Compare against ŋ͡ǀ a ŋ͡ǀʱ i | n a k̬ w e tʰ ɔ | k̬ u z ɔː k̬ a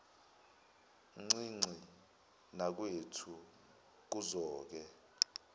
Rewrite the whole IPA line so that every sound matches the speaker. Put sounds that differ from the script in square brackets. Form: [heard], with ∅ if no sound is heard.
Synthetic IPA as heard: ŋ͡ǀ [i] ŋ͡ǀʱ i | n a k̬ w e tʰ [u] | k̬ u z ɔː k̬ [ɛ]

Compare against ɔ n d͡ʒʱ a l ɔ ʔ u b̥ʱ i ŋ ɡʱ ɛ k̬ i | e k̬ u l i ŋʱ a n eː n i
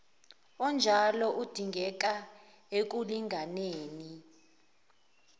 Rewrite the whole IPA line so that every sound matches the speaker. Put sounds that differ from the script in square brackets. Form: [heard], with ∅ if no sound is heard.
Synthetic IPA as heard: ɔ n d͡ʒʱ a l ɔ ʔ u [d̥ʱ] i ŋ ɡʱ ɛ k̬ [a] | e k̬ u l i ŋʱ a n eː n i

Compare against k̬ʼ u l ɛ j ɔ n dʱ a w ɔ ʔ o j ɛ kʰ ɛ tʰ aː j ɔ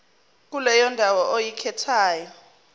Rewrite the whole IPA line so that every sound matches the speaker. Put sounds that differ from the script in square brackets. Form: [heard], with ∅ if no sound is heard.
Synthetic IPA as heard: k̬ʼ u l ɛ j ɔ n dʱ a w ɔ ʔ o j [i] kʰ ɛ tʰ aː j ɔ

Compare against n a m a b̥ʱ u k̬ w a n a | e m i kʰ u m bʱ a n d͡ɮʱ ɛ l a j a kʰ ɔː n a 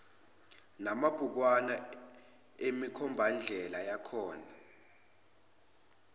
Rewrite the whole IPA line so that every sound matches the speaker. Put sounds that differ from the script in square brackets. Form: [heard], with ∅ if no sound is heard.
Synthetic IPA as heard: n a m a b̥ʱ u k̬ w a n a | e m i kʰ [ɔ] m bʱ a n d͡ɮʱ ɛ l a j a kʰ ɔː n a

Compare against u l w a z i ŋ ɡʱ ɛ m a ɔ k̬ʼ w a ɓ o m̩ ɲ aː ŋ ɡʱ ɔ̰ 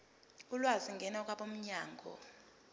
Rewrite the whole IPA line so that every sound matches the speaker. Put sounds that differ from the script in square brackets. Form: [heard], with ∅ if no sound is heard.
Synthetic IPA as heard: u l w a z i ŋ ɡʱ ɛ [n] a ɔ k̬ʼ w a ɓ o m̩ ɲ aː ŋ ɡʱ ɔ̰

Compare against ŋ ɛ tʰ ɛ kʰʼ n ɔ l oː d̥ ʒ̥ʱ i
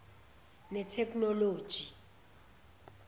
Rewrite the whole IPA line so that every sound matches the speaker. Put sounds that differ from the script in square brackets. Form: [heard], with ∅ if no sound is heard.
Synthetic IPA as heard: [n] ɛ tʰ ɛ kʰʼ n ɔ l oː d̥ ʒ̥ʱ i

